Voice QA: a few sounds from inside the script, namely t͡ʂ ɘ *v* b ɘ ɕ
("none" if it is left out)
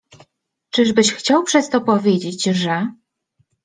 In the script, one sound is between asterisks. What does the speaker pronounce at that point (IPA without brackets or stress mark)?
ʐ